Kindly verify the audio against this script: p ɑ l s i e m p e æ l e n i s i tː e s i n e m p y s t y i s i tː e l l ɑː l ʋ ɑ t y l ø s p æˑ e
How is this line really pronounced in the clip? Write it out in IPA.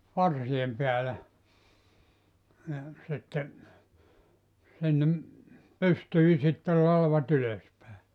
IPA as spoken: p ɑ r s i e m p e æ l æ n i s i tː e s i nː e m p y s t y i s i tː e l l ɑ l ʋ ɑ t y l ø s p æˑ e